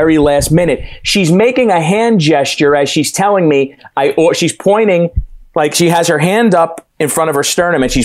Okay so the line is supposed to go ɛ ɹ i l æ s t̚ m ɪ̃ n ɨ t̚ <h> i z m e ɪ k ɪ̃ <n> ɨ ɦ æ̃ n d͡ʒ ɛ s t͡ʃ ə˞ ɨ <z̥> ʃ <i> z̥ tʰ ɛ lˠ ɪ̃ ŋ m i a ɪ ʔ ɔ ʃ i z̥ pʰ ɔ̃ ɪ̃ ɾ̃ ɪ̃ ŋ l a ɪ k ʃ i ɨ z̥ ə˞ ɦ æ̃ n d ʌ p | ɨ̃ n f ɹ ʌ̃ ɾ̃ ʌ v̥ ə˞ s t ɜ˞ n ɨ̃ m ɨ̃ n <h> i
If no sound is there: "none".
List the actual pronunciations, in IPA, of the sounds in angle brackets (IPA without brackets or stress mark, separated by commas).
ʃ, ŋ, z̥, i, ʃ